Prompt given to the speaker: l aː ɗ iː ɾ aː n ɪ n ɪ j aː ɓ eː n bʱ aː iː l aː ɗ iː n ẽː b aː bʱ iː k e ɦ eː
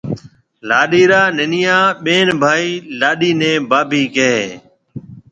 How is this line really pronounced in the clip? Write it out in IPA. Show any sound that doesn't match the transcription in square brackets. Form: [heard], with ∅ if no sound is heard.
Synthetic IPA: l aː ɗ iː ɾ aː n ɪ n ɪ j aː ɓ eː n bʱ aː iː l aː ɗ iː n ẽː b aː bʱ iː k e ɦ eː